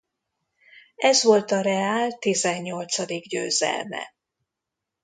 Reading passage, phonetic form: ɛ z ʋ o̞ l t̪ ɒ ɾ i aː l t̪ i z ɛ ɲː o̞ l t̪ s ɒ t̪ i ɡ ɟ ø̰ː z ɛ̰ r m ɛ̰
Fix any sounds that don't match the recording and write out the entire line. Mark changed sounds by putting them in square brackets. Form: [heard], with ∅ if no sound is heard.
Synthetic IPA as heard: ɛ z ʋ o̞ l t̪ ɒ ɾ [ɛ] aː l t̪ i z ɛ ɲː o̞ l t̪ s ɒ [d̪] i ɡ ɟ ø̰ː z ɛ̰ [l] m ɛ̰